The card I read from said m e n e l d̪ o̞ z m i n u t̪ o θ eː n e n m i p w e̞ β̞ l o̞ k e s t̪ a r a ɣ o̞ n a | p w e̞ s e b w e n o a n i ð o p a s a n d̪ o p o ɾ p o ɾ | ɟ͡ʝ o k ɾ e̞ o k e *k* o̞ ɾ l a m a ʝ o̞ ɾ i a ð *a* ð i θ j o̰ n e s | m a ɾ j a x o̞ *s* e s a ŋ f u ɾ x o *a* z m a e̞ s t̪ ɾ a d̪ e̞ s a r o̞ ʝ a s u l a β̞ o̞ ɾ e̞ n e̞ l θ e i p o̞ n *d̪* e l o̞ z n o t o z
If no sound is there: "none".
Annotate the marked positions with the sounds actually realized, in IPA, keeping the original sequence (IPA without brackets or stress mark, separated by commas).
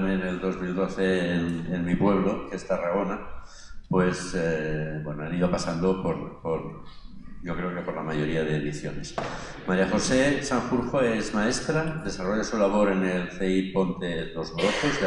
p, e, s, e, t̪